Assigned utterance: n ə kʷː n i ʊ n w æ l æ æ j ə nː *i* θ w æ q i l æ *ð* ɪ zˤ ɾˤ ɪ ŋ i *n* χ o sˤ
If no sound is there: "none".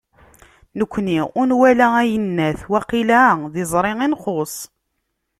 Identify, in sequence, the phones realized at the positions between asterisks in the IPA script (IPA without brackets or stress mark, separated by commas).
æ, ð, n